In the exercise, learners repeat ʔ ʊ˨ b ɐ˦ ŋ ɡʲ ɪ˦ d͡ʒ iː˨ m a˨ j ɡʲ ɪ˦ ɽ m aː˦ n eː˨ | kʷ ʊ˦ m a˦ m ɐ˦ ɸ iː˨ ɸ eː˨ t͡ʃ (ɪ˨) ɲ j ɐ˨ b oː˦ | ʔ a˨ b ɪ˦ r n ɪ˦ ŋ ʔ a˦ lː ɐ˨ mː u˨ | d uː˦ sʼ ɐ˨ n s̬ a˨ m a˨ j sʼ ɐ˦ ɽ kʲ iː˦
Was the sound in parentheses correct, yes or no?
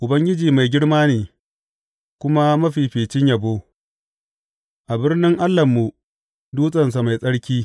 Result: no